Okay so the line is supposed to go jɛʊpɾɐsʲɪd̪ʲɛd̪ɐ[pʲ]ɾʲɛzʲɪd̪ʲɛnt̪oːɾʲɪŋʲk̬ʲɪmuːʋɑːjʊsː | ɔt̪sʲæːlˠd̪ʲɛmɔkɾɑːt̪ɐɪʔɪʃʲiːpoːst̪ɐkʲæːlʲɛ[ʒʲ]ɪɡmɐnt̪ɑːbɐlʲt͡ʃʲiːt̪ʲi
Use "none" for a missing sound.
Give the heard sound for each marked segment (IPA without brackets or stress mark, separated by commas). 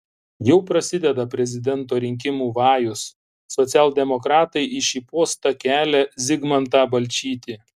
pʲ, zʲ